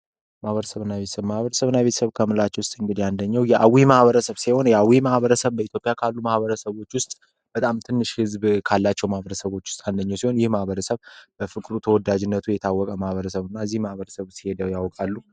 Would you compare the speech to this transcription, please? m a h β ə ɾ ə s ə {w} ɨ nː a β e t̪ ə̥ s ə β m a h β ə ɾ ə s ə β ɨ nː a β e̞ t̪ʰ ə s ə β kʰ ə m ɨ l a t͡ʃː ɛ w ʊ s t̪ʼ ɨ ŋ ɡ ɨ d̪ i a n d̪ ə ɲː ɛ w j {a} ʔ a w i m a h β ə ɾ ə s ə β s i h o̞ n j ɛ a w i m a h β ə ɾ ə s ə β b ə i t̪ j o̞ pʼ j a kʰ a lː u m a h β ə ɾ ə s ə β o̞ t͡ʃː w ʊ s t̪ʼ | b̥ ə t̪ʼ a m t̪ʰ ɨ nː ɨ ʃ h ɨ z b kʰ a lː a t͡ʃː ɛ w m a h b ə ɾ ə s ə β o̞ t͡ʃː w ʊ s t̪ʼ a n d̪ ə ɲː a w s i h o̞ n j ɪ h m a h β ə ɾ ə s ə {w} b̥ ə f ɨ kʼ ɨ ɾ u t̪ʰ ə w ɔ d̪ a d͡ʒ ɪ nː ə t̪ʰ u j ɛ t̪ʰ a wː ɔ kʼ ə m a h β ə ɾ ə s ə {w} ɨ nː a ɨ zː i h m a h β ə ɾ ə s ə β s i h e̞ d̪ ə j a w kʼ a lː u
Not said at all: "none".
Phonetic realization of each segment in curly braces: β, ɛ, β, β

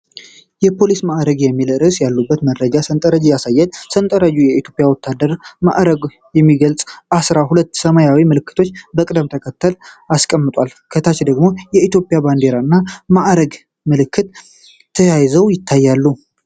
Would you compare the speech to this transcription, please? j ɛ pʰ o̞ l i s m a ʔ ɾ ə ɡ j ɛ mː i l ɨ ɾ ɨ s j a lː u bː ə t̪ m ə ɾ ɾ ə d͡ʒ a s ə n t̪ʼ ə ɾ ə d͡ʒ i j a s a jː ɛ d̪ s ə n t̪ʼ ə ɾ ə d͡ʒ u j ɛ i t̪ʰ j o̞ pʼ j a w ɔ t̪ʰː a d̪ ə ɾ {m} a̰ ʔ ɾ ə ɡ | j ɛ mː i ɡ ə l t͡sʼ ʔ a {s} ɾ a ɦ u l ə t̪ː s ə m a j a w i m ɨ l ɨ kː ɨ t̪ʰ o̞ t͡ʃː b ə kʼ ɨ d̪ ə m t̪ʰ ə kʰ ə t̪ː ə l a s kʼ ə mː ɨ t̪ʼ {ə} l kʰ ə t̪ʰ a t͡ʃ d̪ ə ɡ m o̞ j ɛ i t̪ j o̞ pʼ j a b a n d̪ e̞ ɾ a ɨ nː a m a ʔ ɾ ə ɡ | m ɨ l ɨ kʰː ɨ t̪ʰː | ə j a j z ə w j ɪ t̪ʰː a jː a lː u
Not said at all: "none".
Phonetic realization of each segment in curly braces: m, s, a

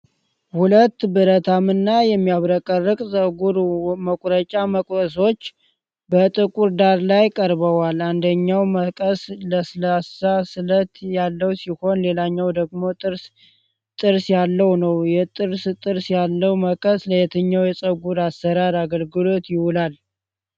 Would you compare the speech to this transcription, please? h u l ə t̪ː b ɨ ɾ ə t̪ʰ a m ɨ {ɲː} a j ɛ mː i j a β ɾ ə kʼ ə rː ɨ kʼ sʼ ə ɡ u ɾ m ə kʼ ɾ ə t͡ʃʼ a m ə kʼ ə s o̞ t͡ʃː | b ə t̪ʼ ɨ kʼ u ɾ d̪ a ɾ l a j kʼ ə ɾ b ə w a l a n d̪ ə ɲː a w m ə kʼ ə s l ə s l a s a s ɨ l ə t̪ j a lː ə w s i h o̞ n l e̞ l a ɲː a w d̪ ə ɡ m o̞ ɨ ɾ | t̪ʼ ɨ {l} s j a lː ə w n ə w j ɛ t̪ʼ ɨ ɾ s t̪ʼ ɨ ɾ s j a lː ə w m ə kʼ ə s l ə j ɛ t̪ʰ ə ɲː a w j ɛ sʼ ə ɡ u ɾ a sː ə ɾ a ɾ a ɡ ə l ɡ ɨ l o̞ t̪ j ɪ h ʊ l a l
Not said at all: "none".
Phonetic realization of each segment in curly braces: nː, ɾ

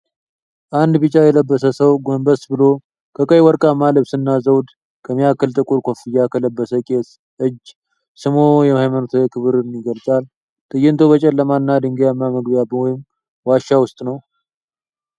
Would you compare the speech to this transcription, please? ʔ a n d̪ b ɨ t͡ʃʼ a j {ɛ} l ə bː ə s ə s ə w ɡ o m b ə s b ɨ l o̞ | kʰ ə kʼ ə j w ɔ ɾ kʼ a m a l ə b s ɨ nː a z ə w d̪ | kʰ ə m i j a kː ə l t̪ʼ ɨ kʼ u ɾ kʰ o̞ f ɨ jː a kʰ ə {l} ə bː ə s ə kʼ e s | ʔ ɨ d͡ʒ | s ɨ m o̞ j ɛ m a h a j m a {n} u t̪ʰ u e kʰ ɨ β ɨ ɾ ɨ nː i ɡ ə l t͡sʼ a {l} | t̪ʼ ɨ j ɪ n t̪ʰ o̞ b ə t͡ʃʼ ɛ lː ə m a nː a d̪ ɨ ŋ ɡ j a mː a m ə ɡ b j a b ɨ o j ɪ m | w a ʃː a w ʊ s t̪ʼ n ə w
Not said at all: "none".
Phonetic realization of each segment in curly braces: ɛ, l, n, l

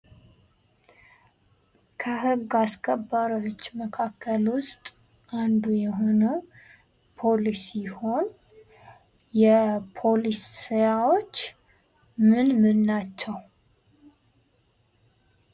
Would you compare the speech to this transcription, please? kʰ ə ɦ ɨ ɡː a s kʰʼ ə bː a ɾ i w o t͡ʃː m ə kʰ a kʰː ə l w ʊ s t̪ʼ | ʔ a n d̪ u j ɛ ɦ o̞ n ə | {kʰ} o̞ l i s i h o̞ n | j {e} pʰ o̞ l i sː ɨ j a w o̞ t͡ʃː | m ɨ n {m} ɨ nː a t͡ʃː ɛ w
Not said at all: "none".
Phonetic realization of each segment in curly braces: pʰ, ɛ, m

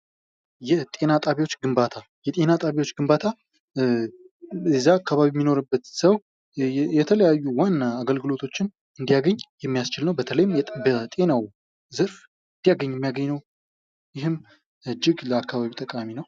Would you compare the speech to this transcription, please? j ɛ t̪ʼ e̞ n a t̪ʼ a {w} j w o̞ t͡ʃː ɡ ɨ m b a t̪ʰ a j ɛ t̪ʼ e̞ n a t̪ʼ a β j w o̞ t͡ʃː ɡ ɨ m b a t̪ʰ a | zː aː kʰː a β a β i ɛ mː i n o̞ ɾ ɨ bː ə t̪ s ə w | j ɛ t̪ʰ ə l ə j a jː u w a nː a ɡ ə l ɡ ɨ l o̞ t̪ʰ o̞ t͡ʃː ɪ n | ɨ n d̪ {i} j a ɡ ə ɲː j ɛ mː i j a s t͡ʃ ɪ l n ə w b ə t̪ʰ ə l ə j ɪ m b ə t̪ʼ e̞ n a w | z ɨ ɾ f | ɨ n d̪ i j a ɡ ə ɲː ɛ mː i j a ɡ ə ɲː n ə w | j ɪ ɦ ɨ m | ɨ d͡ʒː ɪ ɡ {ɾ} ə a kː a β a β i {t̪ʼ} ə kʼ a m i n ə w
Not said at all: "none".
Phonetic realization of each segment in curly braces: β, i, l, t̪ʼ

